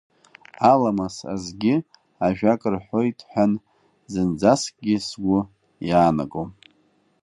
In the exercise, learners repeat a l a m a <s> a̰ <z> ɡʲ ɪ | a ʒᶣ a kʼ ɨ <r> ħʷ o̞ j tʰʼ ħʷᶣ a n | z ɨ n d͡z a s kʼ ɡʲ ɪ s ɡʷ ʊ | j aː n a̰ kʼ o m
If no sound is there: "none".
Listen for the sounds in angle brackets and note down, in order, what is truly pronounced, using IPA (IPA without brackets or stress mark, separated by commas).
s, z, r